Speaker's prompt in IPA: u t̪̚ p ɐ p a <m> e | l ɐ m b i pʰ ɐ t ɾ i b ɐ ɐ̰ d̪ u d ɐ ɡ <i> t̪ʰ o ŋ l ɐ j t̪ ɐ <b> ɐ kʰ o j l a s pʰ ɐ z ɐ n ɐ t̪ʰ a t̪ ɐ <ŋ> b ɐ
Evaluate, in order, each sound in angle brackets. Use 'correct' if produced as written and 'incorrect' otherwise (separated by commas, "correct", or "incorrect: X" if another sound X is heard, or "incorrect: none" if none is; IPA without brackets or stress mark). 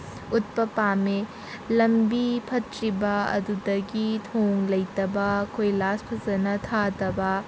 correct, correct, correct, incorrect: none